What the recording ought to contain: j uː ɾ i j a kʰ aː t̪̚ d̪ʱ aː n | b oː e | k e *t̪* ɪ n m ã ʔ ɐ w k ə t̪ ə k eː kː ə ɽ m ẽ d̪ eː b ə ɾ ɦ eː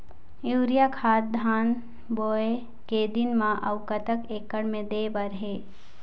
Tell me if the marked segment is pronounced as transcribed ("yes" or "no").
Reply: no